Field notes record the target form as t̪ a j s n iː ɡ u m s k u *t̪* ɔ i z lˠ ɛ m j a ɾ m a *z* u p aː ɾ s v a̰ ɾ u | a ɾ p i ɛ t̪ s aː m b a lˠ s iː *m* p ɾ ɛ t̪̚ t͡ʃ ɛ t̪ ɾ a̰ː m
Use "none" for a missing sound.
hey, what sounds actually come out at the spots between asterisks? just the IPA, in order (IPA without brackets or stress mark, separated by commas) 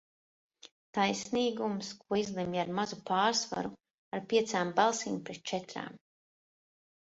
none, z, m